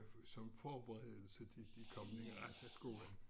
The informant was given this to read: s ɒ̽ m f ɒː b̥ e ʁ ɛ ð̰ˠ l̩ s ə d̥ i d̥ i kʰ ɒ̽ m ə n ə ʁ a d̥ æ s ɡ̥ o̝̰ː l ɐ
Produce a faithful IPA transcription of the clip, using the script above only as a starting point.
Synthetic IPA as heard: s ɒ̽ m f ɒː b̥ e ʁ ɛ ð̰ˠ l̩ s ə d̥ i d̥ i kʰ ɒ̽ m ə n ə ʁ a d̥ æ s ɡ̥ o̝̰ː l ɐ